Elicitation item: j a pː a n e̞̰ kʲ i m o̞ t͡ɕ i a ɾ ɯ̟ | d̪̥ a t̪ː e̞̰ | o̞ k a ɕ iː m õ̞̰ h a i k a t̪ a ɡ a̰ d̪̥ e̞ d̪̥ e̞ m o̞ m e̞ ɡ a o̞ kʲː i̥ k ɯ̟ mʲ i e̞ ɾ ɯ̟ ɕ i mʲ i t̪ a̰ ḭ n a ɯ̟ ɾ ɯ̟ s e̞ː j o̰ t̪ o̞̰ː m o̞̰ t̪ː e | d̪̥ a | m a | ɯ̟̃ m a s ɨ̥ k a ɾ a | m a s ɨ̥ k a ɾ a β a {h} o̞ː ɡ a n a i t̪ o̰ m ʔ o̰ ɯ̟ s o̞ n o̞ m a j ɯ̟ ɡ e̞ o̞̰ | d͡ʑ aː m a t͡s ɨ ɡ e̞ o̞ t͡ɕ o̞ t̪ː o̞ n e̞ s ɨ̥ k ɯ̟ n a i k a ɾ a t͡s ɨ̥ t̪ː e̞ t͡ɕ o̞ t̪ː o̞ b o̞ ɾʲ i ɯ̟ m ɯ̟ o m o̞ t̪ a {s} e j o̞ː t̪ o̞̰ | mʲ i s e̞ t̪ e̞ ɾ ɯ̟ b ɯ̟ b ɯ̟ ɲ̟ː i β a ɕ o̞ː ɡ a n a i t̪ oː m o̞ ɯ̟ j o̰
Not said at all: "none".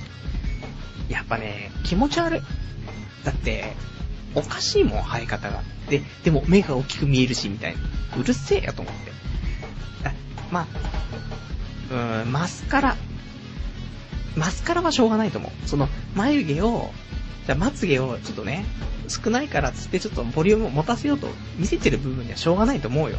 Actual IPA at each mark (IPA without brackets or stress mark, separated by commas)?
ɕ, s